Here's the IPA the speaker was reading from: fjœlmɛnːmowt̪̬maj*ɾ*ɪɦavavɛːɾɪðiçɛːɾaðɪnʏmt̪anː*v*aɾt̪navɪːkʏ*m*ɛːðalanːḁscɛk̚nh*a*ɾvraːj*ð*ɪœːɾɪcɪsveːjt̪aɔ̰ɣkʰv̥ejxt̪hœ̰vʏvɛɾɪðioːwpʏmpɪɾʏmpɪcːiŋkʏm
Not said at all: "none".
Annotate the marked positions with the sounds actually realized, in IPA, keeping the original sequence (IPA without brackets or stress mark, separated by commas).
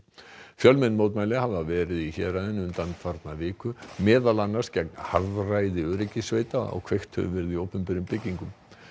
l, f, m, a, ð